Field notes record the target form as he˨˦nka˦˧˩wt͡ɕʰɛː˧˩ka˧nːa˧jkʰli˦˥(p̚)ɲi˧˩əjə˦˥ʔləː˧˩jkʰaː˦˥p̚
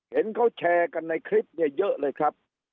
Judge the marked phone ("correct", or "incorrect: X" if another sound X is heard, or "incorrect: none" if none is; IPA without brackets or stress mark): correct